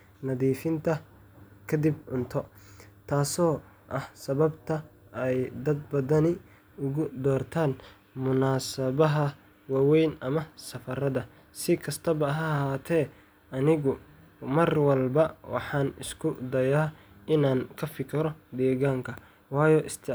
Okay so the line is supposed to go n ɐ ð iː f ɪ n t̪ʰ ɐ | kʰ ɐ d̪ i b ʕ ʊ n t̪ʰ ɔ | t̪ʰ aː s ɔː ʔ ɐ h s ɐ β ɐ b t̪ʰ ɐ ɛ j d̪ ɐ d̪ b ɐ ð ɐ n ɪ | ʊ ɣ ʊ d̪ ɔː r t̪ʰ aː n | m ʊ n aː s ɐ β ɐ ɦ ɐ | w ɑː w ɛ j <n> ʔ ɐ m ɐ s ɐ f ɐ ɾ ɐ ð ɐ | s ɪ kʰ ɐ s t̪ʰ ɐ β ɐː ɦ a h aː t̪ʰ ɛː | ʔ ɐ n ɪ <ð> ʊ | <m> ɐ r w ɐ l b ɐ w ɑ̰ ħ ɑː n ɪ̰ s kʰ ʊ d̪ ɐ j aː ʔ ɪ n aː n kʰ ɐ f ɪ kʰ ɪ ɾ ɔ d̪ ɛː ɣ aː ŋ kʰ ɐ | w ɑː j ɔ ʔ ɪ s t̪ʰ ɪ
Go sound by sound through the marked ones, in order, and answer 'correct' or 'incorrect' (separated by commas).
correct, incorrect, correct